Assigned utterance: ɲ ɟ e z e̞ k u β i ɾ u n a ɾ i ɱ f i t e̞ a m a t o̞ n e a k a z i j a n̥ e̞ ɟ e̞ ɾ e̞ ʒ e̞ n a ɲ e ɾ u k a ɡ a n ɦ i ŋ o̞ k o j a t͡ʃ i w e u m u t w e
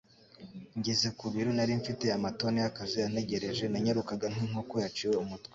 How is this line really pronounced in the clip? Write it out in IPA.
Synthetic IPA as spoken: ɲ ɟ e z e̞ k u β i ɾ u n a ɾ i ɱ f i t e̞ a m a t o̞ n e a k a z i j a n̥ e̞ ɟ e̞ ɾ e̞ ʒ e̞ n a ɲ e ɾ u k a ɡ a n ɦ i ŋ o̞ k o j a t͡ʃ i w e u m u t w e